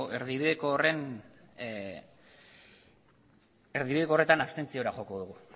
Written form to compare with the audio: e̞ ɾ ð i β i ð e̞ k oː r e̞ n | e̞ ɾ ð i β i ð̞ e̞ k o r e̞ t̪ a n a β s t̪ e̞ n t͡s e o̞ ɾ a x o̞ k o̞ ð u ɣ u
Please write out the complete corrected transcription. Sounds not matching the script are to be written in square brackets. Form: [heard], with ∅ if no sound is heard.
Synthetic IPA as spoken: e̞ ɾ ð i β i ð e̞ k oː r e̞ n | e̞ ɾ ð i β i ð̞ e̞ k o r e̞ t̪ a n a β s t̪ e̞ n t͡s [i] o̞ ɾ a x o̞ k o̞ ð u ɣ u